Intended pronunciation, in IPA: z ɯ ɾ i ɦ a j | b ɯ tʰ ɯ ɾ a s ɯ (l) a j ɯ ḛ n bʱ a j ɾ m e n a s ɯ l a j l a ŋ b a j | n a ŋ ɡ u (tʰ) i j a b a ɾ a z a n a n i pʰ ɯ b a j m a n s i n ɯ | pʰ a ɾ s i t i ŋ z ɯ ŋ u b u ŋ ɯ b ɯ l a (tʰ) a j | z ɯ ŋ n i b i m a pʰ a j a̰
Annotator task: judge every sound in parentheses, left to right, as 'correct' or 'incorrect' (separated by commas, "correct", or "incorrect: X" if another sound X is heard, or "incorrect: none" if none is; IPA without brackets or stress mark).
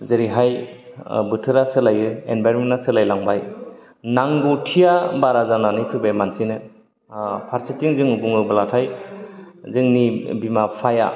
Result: correct, correct, correct